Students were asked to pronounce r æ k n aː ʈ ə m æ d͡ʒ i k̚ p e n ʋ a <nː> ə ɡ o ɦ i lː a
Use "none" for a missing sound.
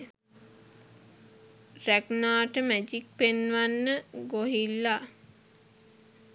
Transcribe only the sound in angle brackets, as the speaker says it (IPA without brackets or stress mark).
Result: nː